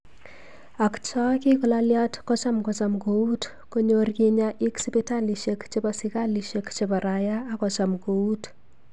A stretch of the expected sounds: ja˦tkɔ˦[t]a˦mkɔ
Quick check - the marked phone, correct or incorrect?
incorrect